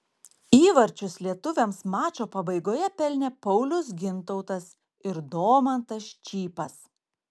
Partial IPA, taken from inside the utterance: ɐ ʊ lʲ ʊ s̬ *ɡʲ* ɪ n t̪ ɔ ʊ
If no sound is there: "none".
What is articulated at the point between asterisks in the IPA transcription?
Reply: ɡʲ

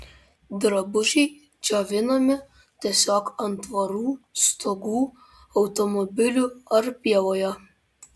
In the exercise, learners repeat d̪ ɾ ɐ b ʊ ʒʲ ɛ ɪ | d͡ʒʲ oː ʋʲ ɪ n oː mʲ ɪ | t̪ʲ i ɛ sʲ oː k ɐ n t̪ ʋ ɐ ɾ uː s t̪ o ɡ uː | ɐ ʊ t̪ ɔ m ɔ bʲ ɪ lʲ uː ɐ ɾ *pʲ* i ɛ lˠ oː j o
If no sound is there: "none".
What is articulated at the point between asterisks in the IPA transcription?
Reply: pʲ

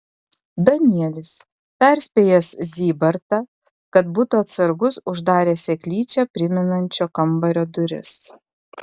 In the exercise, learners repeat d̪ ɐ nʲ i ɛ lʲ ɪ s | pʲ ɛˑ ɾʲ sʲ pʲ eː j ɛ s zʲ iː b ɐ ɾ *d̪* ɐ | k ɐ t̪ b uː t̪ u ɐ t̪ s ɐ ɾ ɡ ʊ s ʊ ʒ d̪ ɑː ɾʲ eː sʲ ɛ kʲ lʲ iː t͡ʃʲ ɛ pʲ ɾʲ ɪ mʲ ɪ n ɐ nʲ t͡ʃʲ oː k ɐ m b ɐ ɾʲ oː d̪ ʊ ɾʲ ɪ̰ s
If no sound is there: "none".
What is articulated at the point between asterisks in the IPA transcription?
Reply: t̪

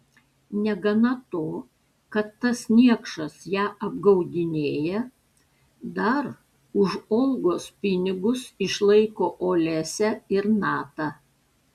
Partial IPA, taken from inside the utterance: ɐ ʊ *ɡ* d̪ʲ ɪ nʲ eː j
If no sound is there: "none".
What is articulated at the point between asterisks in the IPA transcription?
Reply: none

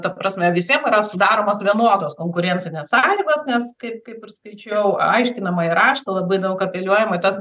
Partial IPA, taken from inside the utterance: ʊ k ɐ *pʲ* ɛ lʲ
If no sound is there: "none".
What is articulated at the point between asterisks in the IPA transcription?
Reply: pʲ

